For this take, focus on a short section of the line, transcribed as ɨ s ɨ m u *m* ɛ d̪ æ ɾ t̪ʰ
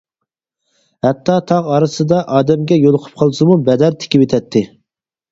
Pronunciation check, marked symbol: incorrect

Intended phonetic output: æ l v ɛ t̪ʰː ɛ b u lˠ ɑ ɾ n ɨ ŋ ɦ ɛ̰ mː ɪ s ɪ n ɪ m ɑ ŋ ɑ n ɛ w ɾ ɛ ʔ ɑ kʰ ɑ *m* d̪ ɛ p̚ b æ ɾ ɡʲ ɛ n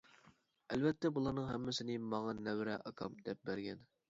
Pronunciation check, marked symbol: correct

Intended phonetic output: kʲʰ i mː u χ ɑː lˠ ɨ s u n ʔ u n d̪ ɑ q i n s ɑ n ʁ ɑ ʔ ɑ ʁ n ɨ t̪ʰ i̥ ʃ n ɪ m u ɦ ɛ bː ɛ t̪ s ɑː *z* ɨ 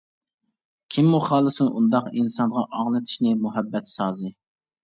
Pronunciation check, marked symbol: correct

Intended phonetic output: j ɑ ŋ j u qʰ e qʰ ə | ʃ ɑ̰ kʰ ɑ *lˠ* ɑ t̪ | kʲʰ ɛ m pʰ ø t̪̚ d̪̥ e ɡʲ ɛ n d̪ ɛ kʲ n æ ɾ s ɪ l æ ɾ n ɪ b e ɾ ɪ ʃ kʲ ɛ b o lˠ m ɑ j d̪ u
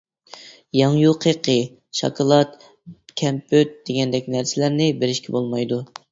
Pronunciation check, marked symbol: correct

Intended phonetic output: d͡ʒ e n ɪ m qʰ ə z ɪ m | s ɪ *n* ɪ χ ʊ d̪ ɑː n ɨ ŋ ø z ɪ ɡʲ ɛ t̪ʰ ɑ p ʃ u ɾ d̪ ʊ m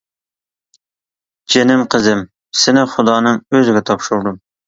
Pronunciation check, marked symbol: correct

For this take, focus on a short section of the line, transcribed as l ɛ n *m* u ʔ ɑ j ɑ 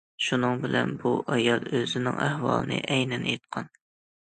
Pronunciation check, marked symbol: incorrect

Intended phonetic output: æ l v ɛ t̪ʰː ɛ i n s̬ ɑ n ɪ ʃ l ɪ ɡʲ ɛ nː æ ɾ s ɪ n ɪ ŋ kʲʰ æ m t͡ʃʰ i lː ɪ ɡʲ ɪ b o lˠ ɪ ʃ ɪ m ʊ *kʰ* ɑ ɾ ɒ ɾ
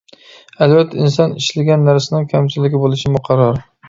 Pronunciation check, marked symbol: incorrect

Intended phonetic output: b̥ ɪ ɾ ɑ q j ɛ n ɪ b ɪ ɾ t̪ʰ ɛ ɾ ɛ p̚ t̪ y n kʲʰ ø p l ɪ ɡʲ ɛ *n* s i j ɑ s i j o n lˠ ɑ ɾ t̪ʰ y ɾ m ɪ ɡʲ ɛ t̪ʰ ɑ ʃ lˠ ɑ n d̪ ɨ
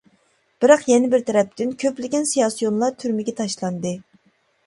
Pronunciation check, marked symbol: correct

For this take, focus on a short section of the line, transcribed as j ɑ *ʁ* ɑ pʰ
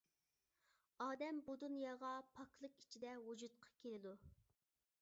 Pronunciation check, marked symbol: correct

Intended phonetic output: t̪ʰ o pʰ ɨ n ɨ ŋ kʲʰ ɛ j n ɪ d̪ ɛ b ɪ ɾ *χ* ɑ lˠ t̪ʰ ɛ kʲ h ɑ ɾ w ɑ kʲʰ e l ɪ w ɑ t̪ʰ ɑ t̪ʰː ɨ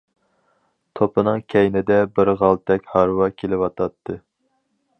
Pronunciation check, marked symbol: incorrect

